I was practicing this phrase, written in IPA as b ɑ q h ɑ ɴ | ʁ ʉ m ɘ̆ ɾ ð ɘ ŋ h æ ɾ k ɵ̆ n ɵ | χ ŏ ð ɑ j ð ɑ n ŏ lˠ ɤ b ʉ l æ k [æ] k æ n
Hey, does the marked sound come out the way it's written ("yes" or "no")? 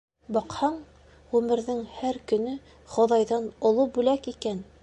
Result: no